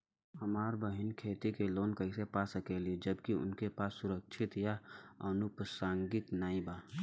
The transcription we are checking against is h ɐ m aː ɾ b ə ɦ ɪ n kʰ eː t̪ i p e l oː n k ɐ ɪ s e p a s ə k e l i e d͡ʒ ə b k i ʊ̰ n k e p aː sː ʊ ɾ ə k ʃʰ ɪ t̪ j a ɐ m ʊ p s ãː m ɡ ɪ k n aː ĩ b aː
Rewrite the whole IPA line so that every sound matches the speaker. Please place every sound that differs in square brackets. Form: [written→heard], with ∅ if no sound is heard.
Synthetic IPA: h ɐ m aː ɾ b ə ɦ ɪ n kʰ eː t̪ i [p→k] e l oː n k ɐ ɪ s e p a s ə k e l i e d͡ʒ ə b k i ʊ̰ n k e p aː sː ʊ ɾ ə k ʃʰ ɪ t̪ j a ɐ [m→n] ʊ p s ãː [m→ŋ] ɡ ɪ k n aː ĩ b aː